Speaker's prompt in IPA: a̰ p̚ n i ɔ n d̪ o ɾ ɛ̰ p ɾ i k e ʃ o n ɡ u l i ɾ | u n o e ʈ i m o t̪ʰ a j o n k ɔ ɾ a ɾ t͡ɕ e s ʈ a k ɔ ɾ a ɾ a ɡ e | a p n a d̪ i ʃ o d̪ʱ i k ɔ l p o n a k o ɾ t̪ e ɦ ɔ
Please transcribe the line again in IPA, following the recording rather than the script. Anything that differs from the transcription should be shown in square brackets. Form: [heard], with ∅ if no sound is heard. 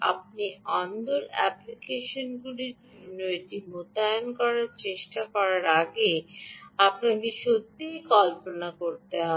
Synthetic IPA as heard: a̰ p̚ n i ɔ n d̪ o ɾ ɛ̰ p [l] i k e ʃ o n ɡ u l i ɾ | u n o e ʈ i m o [t̪] a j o n k ɔ ɾ a ɾ t͡ɕ e [ʃ] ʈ a k ɔ ɾ a ɾ a ɡ e | a p n a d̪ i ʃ o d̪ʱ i k ɔ l p o n a k o ɾ t̪ e ɦ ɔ

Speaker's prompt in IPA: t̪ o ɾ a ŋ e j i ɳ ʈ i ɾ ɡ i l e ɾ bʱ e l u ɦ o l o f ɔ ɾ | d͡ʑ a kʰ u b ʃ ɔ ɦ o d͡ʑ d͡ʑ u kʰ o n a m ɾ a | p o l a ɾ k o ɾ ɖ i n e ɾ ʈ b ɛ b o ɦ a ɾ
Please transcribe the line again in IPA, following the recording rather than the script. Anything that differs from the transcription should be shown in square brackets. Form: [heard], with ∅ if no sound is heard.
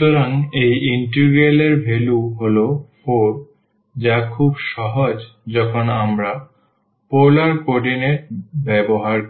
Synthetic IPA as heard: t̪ o ɾ a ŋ e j i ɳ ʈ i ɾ ɡ [e] l e ɾ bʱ e l u ɦ o l o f [o] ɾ | d͡ʑ a kʰ u b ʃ ɔ ɦ o d͡ʑ d͡ʑ [ɔ] kʰ o n a m ɾ a | p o l a ɾ k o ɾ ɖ i n e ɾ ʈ b ɛ b o ɦ a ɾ

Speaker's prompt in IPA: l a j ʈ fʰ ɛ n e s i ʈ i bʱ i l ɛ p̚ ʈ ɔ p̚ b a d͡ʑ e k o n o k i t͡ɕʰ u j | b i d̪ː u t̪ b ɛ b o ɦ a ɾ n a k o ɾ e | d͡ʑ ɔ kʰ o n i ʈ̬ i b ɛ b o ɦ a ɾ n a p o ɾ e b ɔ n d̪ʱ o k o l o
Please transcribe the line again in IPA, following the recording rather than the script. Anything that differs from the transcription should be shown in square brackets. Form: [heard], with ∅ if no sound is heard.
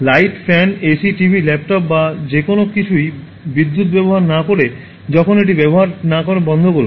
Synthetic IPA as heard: l a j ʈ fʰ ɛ n e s i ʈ i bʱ i l ɛ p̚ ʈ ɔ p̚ b a d͡ʑ e k o n o k i t͡ɕʰ u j | b i d̪ː u t̪ b ɛ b o ɦ a ɾ n a k o ɾ e | d͡ʑ ɔ kʰ o n [e] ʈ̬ i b ɛ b o ɦ a ɾ n a [k] o ɾ e b ɔ n d̪ʱ o k o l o

